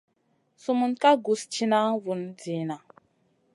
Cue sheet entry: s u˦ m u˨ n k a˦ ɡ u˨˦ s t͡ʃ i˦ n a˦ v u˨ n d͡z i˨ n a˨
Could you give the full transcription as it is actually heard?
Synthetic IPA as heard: s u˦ m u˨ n k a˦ ɡ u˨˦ s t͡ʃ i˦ n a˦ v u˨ n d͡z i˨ n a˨

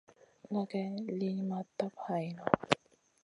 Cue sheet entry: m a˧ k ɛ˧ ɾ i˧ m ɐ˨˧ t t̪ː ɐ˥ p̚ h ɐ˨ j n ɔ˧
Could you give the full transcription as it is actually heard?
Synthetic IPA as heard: ŋ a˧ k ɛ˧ l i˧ m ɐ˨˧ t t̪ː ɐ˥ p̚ h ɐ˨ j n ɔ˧

